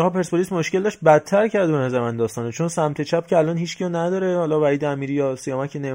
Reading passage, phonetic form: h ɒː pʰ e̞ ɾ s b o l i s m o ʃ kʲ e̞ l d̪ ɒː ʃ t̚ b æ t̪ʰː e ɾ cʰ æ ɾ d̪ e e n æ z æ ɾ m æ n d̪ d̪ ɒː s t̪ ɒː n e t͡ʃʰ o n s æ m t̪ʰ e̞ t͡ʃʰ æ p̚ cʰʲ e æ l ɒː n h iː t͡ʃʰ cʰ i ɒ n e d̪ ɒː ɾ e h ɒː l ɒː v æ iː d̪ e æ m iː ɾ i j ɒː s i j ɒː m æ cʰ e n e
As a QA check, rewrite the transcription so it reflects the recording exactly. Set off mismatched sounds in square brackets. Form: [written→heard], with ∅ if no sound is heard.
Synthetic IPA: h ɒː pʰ e̞ ɾ s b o l i s m o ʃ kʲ e̞ l d̪ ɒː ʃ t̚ b æ t̪ʰː [e→æ] ɾ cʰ æ ɾ d̪ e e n æ z æ ɾ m æ n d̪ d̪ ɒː s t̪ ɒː n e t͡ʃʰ o n s æ m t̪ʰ e̞ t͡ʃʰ æ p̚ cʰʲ e æ l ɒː n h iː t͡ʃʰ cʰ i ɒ n [e→æ] d̪ ɒː ɾ e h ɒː l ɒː v æ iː d̪ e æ m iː ɾ i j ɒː s i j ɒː m æ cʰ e n e